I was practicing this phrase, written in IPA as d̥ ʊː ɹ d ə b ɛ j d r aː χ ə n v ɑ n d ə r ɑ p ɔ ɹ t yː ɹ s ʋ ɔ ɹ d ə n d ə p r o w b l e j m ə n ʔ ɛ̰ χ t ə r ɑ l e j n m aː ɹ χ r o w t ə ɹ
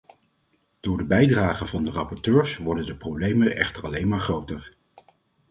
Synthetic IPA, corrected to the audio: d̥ ʊː ɹ d ə b ɛ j d r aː χ ə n v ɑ n d ə r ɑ p ɔ ɹ t øː ɹ s ʋ ɔ ɹ d ə n d ə p r o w b l e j m ə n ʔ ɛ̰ χ t ə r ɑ l e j n m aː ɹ χ r o w t ə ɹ